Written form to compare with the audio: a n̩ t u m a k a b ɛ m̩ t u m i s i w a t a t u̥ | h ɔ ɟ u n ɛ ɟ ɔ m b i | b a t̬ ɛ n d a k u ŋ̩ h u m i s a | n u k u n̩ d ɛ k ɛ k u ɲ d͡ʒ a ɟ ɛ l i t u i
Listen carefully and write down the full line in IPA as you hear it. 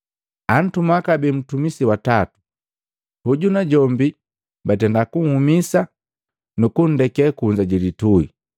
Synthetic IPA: a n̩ t u m a k a b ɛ m̩ t u m i s i w a t a t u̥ | h u ɟ u n a ɟ ɔ m b i | b a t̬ ɛ n d a k u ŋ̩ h u m i s a | n u k u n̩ d ɛ k ɛ k u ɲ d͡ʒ a ɟ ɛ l i t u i